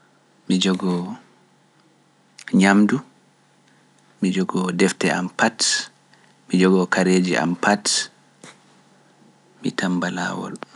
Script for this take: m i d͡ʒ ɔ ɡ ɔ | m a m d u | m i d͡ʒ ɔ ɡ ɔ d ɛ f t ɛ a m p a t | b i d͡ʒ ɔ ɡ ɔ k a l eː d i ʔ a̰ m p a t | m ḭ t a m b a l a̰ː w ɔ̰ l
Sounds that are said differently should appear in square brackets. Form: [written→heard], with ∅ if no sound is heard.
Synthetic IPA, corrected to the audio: m i d͡ʒ ɔ ɡ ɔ | [m→ɲ] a m d u | m i d͡ʒ ɔ ɡ ɔ d ɛ f t ɛ a m p a t | [b→m] i d͡ʒ ɔ ɡ ɔ k a [l→ɾ] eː [d→d͡ʒ] i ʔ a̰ m p a t | m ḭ t a m b a l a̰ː w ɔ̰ l